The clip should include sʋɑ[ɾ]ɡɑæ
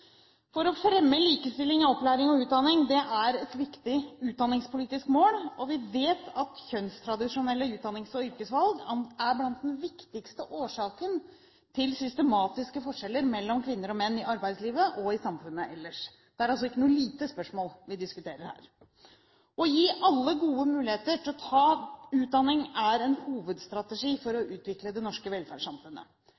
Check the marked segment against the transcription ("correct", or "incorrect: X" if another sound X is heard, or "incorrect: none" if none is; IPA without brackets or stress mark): incorrect: l